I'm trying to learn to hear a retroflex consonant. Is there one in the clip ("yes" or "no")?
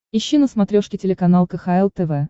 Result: yes